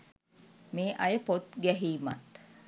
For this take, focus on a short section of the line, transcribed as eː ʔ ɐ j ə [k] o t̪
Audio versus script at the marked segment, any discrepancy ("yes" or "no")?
yes